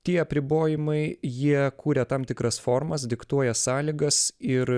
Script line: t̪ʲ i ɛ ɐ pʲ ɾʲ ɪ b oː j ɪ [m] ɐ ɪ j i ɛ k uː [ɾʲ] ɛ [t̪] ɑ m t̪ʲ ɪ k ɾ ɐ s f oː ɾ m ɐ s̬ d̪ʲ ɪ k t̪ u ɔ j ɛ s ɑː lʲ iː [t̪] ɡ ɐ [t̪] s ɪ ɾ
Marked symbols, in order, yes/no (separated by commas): yes, yes, yes, no, no